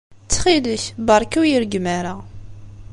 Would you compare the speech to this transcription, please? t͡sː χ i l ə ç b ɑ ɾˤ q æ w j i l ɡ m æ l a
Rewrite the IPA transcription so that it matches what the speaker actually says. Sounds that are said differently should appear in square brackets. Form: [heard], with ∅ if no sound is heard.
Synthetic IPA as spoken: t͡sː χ i l ə ç b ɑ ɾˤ [k] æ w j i [ɾ] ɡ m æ [ɾ] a